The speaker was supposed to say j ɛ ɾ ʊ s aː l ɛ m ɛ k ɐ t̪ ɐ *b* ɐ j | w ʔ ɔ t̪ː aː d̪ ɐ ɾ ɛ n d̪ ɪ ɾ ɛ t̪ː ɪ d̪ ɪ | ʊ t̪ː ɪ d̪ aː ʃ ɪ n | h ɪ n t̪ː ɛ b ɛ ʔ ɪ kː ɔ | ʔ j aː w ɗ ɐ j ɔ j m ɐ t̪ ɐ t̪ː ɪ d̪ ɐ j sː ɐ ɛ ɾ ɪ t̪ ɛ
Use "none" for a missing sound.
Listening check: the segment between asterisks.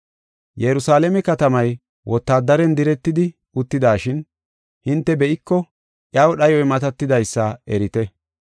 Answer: m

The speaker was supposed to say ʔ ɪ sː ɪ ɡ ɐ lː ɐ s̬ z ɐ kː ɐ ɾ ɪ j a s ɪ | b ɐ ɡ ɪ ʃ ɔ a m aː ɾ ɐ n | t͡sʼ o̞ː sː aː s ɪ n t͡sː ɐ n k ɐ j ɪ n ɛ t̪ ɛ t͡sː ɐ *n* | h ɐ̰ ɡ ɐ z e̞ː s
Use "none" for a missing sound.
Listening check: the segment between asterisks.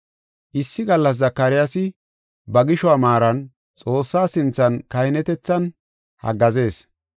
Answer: n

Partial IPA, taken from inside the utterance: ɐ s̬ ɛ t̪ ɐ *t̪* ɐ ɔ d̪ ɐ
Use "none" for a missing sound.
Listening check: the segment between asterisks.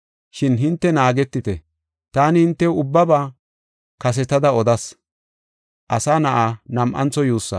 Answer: d̪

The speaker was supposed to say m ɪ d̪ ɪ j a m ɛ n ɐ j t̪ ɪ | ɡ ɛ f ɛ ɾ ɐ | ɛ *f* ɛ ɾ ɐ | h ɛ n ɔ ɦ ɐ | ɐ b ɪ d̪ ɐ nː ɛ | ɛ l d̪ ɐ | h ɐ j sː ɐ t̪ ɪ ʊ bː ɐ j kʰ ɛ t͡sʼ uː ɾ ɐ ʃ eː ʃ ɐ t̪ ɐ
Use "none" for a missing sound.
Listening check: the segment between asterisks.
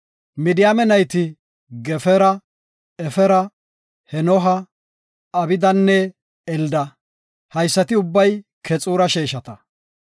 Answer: f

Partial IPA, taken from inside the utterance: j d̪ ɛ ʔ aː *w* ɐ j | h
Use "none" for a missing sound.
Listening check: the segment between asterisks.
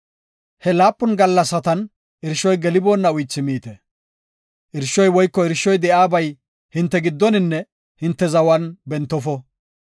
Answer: b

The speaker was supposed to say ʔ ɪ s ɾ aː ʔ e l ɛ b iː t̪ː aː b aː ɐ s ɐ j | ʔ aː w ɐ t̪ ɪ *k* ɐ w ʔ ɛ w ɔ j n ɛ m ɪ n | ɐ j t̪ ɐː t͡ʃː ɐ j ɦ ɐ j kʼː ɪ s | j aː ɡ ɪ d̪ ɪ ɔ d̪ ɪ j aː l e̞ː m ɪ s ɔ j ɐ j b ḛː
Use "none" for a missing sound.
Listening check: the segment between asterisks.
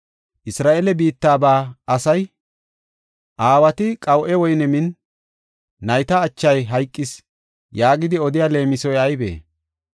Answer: kʼ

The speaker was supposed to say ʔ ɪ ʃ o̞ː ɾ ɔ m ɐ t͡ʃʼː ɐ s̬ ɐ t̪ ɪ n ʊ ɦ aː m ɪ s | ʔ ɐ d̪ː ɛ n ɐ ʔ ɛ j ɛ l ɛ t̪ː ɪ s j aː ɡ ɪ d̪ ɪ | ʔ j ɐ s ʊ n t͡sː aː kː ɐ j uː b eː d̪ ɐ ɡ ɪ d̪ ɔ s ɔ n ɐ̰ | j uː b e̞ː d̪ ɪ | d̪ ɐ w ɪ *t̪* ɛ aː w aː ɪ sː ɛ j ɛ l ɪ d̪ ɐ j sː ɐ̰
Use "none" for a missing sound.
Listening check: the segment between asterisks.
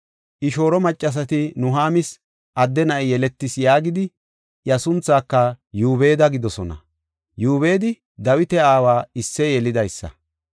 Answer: t̪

